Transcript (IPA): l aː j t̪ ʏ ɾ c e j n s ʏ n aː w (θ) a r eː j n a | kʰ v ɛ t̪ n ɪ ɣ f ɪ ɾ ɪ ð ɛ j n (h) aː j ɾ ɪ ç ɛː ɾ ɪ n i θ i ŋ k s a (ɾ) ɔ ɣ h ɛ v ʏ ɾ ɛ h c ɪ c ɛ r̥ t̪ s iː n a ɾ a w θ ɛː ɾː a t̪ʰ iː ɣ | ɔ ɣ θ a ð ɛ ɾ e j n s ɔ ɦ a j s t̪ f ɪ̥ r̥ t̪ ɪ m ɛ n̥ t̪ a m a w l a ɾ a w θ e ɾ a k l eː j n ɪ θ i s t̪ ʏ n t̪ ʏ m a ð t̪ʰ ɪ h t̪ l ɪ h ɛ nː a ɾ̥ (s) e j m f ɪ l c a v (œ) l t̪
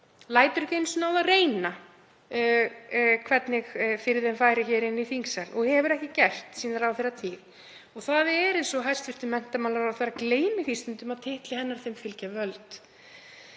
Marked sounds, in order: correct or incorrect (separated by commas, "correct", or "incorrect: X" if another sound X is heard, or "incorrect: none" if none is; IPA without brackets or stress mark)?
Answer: incorrect: ð, incorrect: f, incorrect: l, incorrect: θ, correct